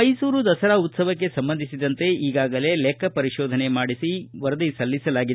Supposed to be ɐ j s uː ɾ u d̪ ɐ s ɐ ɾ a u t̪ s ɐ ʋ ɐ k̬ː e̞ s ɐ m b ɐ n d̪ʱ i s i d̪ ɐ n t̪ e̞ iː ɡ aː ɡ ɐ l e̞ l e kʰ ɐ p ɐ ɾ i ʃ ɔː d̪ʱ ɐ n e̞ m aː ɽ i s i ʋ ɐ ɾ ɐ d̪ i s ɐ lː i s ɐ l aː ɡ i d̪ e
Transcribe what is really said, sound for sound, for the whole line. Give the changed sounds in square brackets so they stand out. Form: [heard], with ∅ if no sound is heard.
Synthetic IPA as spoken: ɐ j s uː ɾ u d̪ ɐ s ɐ ɾ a u t̪ s ɐ ʋ ɐ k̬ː e̞ s ɐ m b ɐ n d̪ʱ i s i d̪ ɐ n t̪ e̞ iː ɡ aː ɡ ɐ l e̞ l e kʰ ɐ p ɐ ɾ i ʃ ɔː d̪ʱ ɐ n e̞ m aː ɽ i s i ʋ ɐ ɾ ɐ d̪ i s ɐ lː i s ɐ l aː ɡ i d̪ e